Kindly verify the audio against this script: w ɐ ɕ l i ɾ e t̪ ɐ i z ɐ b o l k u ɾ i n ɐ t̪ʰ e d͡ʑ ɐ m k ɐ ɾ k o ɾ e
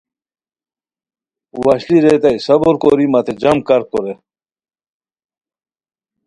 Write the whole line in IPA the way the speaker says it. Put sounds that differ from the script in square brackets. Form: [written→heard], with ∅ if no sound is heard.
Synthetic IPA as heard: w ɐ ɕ l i ɾ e t̪ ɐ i [z→s] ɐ b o [l→ɾ] k [u→o] ɾ i [n→m] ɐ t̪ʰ e d͡ʑ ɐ m k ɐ ɾ k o ɾ e